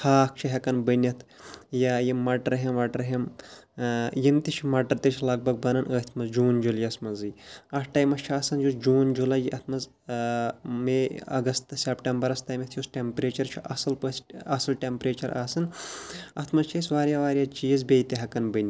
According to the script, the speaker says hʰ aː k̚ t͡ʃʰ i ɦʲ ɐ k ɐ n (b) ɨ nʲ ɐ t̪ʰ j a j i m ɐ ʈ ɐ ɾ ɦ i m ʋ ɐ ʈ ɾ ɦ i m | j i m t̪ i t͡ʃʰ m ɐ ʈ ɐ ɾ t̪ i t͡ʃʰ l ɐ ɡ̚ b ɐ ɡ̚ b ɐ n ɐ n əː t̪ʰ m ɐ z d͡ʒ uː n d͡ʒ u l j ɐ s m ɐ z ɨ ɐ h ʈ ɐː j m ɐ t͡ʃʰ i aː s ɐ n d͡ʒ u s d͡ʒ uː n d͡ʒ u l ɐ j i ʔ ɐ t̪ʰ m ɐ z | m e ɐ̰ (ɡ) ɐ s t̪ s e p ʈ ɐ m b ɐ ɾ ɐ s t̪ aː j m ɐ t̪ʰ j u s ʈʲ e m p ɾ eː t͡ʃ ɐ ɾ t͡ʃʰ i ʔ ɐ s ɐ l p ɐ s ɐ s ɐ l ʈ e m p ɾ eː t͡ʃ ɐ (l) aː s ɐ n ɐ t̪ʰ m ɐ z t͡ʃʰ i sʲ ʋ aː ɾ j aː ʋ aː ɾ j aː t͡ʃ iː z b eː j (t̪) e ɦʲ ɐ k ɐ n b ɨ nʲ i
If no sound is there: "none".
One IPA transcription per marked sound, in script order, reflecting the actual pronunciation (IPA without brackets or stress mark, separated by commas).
b, ɡ, ɾ, t̪